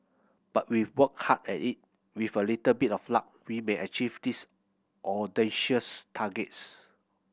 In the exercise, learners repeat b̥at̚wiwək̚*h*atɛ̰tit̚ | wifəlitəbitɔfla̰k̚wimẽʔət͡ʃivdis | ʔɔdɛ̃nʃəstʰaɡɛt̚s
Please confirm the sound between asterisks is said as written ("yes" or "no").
yes